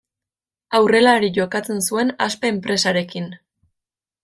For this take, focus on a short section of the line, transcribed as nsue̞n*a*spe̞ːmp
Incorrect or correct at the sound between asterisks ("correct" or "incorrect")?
correct